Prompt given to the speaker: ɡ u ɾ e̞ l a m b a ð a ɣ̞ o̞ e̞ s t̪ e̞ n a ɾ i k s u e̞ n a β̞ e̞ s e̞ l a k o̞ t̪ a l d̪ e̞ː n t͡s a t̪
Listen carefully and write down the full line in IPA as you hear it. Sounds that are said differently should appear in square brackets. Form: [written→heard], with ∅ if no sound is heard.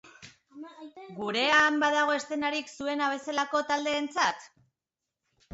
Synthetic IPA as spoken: ɡ u ɾ e̞ [l→∅] a m b a ð a ɣ̞ o̞ e̞ s t̪ e̞ n a ɾ i k s u e̞ n a β̞ e̞ s e̞ l a k o̞ t̪ a l d̪ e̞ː n t͡s a t̪